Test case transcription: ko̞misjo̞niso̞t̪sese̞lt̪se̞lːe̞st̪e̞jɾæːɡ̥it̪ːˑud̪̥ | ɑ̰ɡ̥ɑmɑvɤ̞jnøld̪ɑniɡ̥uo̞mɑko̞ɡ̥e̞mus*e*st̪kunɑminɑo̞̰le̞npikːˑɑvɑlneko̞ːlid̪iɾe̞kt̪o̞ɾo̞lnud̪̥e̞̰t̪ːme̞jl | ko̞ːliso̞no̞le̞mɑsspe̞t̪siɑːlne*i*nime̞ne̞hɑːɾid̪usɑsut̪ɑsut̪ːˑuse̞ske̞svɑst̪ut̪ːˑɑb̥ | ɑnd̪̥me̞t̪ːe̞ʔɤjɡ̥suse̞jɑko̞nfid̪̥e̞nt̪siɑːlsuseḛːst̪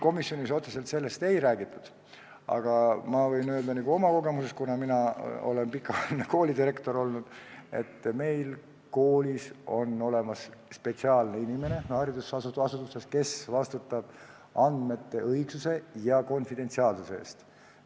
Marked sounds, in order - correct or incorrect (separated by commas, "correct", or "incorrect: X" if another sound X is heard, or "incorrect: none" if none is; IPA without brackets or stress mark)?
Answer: correct, correct